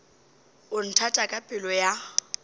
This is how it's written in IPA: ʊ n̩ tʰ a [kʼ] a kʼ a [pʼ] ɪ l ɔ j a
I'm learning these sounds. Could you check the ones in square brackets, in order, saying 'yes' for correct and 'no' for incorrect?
no, yes

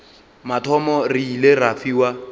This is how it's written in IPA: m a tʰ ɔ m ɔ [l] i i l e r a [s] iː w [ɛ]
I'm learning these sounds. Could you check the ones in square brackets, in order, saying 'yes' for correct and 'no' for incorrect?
no, no, no

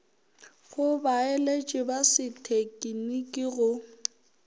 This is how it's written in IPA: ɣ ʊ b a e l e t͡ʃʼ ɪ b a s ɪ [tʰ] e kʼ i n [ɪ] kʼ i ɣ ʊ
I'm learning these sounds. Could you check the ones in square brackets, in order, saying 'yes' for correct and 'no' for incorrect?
yes, no

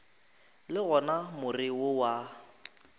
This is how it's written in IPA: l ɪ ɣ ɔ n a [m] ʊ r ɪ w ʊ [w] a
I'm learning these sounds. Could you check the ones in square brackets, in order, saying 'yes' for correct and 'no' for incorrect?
yes, yes

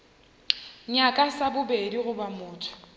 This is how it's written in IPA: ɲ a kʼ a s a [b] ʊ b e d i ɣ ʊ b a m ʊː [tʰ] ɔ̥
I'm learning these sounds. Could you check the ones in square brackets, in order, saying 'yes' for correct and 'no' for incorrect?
yes, yes

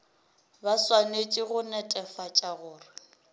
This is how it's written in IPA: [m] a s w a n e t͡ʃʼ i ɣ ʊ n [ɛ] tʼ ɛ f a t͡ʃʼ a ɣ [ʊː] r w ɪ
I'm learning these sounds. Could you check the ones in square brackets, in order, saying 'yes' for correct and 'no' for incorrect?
no, yes, yes

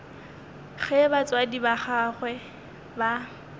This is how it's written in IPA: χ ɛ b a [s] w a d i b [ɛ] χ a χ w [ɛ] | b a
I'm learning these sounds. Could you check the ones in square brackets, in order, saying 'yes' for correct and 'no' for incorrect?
no, no, yes

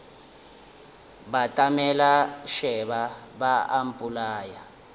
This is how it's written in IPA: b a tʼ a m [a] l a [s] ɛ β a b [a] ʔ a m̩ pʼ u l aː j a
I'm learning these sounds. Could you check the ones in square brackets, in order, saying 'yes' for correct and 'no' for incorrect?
no, no, yes

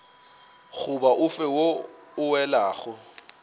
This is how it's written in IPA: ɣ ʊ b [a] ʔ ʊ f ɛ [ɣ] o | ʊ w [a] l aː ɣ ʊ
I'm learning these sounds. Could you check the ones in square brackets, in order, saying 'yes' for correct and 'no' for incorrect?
yes, no, no

